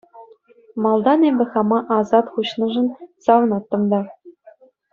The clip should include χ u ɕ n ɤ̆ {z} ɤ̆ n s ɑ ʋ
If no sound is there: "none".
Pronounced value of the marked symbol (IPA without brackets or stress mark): ʐ